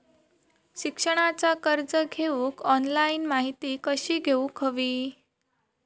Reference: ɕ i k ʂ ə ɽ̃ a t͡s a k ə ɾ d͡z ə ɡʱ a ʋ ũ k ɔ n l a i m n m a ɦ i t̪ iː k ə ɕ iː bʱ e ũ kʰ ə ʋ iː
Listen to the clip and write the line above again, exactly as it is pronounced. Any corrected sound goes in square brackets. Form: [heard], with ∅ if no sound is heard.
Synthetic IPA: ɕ i k ʂ ə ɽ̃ a t͡s a k ə ɾ d͡z ə ɡʱ [e] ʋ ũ k ɔ n l a i [∅] n m a ɦ i t̪ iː k ə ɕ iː [ɡʱ] e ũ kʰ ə ʋ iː

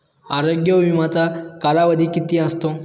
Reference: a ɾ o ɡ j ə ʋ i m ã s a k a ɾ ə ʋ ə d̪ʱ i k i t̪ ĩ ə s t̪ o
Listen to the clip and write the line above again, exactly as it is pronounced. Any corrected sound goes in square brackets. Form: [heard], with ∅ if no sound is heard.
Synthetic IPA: a ɾ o ɡ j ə ʋ i m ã [t͡s] a k a ɾ [a] ʋ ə d̪ʱ i k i t̪ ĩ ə s t̪ o

